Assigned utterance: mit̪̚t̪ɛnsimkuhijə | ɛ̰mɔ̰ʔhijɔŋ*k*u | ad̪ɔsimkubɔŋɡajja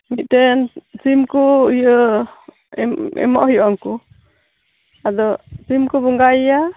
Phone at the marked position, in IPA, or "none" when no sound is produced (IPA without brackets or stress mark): k